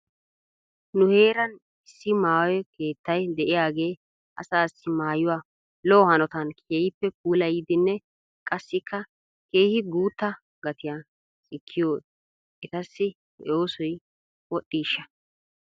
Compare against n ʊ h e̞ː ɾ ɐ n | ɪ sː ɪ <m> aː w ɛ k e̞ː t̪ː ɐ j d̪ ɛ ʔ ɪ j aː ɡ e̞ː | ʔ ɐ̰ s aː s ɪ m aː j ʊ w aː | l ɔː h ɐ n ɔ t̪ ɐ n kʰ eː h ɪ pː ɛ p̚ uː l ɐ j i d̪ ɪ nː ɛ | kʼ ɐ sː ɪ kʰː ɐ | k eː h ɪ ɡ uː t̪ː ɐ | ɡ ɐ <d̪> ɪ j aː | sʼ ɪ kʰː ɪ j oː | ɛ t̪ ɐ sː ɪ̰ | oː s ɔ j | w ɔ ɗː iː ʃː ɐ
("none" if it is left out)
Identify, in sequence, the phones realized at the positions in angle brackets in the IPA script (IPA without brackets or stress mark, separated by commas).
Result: m, t̪